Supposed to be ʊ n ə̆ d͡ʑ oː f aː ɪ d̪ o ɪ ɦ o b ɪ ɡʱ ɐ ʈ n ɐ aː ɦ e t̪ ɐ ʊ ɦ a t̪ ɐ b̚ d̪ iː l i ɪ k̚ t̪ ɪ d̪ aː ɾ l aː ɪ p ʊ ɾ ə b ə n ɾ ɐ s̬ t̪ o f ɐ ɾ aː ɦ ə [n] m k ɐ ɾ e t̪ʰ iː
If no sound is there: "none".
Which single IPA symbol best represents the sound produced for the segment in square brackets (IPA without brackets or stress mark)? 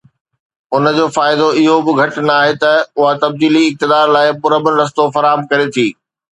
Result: none